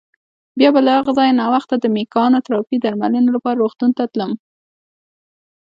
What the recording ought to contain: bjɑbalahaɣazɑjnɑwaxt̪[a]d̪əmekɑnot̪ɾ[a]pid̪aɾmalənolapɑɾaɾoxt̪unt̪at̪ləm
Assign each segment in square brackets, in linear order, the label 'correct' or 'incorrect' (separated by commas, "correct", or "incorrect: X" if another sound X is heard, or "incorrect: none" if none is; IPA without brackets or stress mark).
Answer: correct, incorrect: ɑ